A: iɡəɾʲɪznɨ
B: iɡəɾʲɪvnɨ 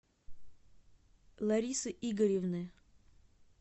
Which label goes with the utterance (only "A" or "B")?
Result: B